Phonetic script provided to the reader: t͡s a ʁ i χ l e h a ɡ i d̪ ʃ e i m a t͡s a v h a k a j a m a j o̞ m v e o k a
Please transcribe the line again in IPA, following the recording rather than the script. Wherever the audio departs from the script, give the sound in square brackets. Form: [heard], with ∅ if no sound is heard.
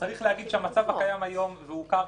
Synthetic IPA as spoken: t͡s a ʁ i χ l e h a ɡ i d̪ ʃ e [a] m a t͡s a v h a k a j a m a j o̞ m v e [u] k a